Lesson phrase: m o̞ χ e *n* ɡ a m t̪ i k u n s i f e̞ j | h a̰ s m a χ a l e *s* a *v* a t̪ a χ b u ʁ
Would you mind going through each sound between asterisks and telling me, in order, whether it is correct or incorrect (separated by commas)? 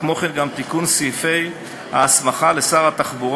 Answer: correct, correct, incorrect